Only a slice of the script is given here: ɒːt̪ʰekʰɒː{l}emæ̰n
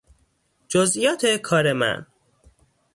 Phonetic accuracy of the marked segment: incorrect: ɾ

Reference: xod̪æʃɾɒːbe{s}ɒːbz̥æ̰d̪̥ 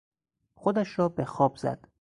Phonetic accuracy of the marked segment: incorrect: x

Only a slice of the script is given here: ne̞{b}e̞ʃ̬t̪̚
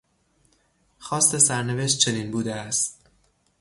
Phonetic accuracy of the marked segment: incorrect: v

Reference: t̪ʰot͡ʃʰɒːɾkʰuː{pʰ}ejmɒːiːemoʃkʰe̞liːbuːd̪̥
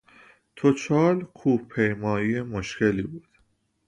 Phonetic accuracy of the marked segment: correct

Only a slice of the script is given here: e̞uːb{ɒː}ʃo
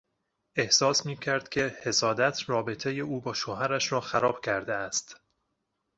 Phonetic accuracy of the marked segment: correct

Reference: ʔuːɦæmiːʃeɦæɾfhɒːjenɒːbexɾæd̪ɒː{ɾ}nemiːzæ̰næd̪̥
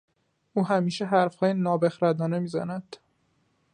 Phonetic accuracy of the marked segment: incorrect: none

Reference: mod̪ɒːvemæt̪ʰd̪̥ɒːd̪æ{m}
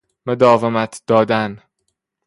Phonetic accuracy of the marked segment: incorrect: n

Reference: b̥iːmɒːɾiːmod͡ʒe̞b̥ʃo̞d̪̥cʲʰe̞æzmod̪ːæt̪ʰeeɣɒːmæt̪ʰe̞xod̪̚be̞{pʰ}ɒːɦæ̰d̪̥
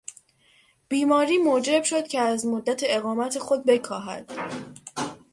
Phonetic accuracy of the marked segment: incorrect: kʰ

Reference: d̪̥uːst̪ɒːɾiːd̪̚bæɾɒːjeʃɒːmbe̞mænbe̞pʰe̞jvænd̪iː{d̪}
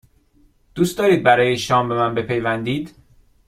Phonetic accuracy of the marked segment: correct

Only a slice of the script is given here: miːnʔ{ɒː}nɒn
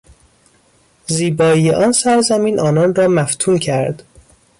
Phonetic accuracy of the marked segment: correct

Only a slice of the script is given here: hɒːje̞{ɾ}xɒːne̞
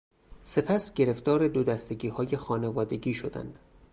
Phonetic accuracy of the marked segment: incorrect: none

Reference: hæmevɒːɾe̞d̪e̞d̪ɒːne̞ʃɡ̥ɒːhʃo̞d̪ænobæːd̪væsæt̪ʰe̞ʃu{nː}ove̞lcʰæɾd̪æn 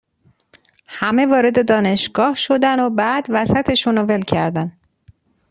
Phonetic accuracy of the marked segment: incorrect: n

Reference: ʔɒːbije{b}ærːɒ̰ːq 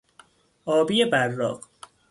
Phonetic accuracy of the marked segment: correct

